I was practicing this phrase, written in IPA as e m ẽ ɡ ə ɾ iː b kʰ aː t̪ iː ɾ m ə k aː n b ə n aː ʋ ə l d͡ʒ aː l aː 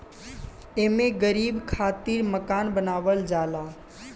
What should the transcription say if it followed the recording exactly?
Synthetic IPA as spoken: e m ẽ ɡ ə ɾ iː b kʰ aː t̪ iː ɾ m ə k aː n b ə n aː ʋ ə l d͡ʒ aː l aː